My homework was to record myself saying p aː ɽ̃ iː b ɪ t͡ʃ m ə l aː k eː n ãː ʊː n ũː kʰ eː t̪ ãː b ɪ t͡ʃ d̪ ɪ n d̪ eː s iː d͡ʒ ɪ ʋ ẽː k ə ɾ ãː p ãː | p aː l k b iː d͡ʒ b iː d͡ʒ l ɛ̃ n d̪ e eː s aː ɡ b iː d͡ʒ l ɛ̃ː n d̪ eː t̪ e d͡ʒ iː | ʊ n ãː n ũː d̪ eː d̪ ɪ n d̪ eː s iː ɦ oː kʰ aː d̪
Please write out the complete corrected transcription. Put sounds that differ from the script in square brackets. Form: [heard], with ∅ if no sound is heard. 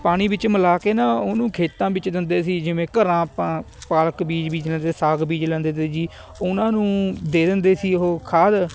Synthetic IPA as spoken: p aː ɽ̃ iː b ɪ t͡ʃ m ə l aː k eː n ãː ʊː n ũː kʰ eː t̪ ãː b ɪ t͡ʃ d̪ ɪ n d̪ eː s iː d͡ʒ ɪ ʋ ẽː k ə ɾ ãː p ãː | p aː l k b iː d͡ʒ b iː d͡ʒ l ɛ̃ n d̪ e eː s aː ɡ b iː d͡ʒ l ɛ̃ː n d̪ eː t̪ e d͡ʒ iː | ʊ n ãː n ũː d̪ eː d̪ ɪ n d̪ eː s iː ɦ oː kʰ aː d̪